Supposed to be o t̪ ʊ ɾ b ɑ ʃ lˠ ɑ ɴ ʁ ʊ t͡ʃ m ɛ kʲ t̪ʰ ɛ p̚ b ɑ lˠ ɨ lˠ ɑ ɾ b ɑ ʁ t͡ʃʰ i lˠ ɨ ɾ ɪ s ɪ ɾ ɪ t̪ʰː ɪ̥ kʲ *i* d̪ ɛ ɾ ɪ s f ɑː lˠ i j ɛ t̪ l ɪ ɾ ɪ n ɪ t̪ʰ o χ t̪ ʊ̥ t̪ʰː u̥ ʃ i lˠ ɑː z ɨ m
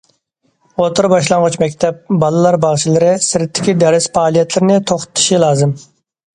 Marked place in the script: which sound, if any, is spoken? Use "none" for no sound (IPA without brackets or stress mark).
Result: i